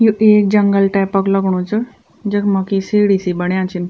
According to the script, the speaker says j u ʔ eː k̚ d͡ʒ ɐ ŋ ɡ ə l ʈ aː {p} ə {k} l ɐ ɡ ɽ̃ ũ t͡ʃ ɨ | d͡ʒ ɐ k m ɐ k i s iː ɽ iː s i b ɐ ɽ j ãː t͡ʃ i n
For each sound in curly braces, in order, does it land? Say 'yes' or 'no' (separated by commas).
yes, yes